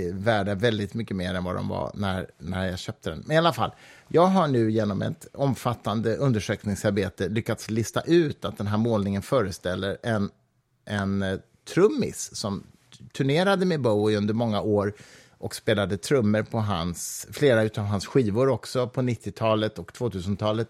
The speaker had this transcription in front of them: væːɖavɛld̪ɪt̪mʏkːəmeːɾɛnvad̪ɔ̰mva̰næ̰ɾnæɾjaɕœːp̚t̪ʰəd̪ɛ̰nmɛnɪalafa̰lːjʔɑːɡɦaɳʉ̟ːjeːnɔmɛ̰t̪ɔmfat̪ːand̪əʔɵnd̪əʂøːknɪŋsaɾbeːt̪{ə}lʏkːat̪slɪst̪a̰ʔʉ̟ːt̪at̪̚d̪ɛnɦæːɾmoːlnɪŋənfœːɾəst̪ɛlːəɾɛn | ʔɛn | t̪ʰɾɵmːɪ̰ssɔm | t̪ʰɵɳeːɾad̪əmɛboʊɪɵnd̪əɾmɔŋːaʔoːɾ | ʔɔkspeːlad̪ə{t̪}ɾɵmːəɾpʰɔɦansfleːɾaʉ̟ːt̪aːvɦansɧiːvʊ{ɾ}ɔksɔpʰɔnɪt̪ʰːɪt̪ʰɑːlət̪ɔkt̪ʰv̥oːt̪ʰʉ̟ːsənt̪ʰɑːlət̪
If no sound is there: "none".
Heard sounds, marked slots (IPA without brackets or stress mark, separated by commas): ə, t̪ʰ, ɾ